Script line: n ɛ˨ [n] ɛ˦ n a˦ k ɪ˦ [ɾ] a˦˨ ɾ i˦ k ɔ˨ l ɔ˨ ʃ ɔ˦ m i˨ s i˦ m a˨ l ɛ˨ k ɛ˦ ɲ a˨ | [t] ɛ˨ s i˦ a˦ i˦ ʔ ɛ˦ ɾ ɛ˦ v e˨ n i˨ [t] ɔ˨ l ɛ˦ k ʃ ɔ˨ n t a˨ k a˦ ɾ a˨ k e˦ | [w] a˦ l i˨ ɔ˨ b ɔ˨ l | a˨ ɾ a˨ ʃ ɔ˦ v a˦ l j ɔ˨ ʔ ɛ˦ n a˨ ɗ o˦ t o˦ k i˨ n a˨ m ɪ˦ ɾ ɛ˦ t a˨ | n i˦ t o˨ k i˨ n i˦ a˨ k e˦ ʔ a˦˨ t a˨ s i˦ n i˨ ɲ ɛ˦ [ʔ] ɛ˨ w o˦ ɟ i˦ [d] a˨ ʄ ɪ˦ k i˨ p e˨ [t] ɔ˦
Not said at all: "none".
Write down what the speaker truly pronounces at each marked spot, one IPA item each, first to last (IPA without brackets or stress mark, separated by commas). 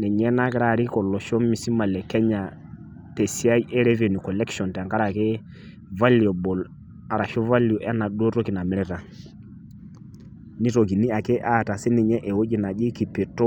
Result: ɲ, ɾ, t, k, v, ʔ, n, t